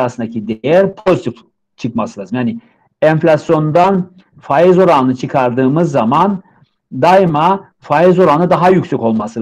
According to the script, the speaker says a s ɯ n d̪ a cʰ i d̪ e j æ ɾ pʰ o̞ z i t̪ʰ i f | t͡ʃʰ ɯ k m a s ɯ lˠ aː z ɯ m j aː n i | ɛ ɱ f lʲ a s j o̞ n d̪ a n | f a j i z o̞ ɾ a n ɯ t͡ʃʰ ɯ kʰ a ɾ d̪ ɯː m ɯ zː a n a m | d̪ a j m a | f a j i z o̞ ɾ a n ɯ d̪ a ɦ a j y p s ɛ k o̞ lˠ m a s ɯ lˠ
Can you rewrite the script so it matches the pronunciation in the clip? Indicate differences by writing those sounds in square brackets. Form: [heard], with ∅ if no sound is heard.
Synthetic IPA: a s ɯ n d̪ a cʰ i d̪ e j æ ɾ pʰ o̞ z i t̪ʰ i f | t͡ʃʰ ɯ k m a s ɯ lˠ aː z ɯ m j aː n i | ɛ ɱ f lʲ a s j o̞ n d̪ a n | f a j i z o̞ ɾ a n ɯ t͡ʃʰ ɯ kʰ a ɾ d̪ ɯː m ɯ zː a [m] a [n] | d̪ a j m a | f a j i z o̞ ɾ a n ɯ d̪ a ɦ a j y [c] s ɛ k o̞ lˠ m a s ɯ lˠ

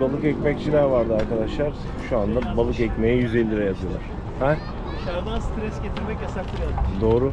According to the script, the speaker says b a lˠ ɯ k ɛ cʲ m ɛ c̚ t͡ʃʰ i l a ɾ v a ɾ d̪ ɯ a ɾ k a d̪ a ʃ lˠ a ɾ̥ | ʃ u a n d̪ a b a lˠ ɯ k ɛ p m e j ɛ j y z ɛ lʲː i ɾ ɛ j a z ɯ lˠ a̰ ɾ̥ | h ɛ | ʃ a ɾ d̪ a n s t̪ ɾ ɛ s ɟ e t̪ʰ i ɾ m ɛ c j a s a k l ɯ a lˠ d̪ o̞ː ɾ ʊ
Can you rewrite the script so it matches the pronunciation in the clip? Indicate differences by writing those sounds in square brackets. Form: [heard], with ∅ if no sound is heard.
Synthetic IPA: b a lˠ ɯ k ɛ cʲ m ɛ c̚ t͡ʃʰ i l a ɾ v a ɾ d̪ ɯ a ɾ k a d̪ a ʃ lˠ a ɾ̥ | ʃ u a n d̪ a b a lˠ ɯ k ɛ [c] m e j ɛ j y z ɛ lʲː i ɾ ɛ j a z ɯ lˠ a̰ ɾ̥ | h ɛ | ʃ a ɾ d̪ a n s t̪ ɾ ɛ s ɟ e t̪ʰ i ɾ m ɛ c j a s a k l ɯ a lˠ d̪ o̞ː ɾ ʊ

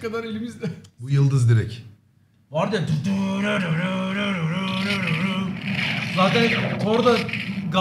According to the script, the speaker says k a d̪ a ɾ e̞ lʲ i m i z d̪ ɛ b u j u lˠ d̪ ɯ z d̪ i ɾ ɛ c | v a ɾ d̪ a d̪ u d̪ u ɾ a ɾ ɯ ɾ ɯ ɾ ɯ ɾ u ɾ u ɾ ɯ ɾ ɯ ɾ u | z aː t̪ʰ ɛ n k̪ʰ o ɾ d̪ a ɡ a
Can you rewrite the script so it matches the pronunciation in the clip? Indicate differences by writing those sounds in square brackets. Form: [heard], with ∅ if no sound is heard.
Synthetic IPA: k a d̪ a ɾ e̞ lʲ i m i z d̪ ɛ b u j [ɯ] lˠ d̪ ɯ z d̪ i ɾ ɛ c | v a ɾ d̪ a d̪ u d̪ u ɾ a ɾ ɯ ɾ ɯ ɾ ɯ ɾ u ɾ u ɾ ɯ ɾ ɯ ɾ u | z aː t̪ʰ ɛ n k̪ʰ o ɾ d̪ a ɡ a

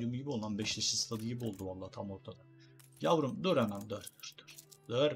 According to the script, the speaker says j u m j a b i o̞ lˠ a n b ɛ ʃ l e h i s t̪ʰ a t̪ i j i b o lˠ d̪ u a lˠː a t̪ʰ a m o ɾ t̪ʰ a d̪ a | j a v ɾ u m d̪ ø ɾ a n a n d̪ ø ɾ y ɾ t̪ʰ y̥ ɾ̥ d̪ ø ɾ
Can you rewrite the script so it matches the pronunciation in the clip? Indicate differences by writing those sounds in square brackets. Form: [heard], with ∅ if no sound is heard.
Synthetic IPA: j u m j [i] b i o̞ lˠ a n b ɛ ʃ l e [ʃ] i s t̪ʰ a [d̪] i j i b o lˠ d̪ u a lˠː a t̪ʰ a m o ɾ t̪ʰ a d̪ a | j a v ɾ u m d̪ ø ɾ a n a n d̪ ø ɾ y ɾ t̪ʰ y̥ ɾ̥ d̪ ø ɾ

